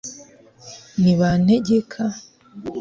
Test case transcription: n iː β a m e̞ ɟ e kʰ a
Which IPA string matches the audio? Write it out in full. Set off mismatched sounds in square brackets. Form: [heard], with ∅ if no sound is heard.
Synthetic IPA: n [i] β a [n] e̞ ɟ e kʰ a